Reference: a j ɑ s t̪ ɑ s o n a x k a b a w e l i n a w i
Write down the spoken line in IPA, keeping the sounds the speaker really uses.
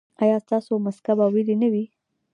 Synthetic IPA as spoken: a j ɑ s t̪ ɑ s o m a s k a b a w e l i n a w i